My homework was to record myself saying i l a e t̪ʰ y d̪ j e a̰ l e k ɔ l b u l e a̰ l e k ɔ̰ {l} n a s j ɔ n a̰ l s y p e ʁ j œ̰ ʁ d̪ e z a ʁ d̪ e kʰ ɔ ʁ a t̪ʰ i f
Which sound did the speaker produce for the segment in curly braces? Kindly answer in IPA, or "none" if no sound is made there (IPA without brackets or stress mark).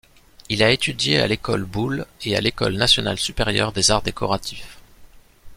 l